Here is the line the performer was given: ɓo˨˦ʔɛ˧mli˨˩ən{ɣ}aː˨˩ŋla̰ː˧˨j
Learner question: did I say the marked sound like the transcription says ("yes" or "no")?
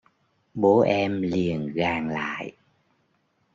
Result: yes